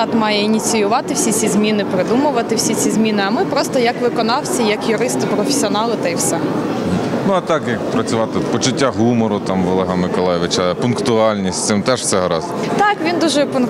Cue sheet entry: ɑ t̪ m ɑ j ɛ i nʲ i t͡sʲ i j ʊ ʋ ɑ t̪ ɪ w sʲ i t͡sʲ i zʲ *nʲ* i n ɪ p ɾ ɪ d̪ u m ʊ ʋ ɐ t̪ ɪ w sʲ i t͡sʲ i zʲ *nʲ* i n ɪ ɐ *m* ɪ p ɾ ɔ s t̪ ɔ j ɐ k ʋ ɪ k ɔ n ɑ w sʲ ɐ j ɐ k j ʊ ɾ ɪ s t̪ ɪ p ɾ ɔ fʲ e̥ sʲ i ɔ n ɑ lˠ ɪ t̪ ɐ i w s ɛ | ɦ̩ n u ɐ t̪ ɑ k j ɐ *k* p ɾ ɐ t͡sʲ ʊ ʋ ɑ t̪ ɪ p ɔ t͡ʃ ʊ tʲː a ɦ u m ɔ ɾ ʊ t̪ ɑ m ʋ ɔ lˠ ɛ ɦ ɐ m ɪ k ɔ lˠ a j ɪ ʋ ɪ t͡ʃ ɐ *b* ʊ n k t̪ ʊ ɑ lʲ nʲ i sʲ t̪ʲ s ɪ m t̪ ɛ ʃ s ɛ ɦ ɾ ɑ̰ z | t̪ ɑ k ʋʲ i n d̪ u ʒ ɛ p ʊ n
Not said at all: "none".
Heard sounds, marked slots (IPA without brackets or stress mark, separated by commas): mʲ, mʲ, m, k, p